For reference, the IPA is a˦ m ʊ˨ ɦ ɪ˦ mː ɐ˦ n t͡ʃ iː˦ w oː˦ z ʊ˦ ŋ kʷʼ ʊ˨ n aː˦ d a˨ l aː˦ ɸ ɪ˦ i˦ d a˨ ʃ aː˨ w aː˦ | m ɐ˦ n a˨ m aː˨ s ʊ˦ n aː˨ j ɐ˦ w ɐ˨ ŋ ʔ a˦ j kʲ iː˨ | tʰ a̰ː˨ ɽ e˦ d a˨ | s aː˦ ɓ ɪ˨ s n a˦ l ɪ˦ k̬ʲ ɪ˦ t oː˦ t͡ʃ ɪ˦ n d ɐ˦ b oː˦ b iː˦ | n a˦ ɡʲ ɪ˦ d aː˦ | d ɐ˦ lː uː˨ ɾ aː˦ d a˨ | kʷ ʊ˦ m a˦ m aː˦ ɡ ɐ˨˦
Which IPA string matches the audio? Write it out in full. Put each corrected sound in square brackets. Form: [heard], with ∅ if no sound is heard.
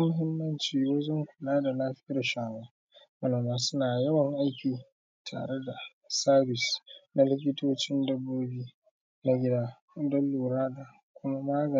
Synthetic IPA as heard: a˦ m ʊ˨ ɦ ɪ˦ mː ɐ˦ n t͡ʃ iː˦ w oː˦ z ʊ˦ ŋ [kʷ] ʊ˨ n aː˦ d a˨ l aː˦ ɸ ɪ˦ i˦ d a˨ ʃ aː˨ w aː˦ | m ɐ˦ n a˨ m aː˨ s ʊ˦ n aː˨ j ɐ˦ w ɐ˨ ŋ ʔ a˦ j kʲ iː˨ | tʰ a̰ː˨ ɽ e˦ d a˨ | s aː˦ [b] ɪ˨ s n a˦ l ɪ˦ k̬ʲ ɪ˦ t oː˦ t͡ʃ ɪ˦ n d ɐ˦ b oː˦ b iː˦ | n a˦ ɡʲ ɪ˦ d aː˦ | d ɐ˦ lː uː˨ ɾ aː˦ d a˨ | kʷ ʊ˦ m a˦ m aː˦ ɡ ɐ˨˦